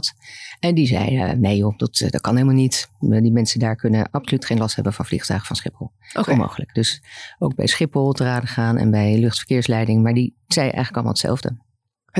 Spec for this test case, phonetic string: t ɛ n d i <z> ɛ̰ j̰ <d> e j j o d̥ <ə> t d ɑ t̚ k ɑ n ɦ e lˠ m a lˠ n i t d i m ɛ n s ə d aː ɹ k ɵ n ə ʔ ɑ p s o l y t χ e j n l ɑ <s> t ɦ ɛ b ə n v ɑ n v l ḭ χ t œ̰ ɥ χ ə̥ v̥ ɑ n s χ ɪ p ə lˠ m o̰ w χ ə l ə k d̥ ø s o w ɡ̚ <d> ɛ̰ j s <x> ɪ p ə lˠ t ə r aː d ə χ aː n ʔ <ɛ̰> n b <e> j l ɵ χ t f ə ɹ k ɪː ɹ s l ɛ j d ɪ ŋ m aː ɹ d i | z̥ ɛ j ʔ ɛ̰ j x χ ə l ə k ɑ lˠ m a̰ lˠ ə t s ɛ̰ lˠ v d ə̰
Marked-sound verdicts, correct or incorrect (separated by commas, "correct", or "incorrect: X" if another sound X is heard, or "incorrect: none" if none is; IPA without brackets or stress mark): correct, incorrect: n, incorrect: ɑ, correct, incorrect: b, incorrect: χ, correct, incorrect: ɛ